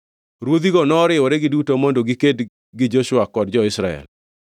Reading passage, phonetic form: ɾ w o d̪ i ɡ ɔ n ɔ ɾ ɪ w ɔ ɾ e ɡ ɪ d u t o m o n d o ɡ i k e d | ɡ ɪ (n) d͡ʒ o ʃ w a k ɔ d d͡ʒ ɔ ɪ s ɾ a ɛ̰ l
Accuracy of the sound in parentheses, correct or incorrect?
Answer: incorrect: none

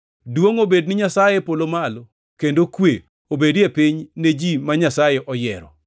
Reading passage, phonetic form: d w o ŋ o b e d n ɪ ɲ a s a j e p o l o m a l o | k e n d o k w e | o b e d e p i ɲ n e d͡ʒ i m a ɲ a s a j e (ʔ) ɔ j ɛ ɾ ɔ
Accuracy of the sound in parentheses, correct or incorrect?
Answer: correct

